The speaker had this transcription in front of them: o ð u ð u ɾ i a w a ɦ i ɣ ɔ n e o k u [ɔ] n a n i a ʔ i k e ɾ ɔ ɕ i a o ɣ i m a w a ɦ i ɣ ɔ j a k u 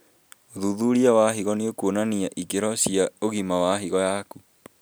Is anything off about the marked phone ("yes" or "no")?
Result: yes